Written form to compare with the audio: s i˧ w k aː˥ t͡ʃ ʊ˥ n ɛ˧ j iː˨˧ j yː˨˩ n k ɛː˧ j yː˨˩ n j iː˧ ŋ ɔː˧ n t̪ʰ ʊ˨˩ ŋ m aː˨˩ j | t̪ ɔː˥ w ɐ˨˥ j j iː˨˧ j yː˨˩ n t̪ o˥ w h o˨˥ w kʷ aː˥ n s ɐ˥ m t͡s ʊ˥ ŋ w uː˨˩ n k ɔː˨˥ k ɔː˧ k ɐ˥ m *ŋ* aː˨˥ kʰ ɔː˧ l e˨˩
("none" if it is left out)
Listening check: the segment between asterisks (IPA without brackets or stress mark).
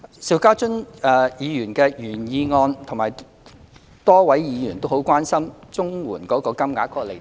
ŋ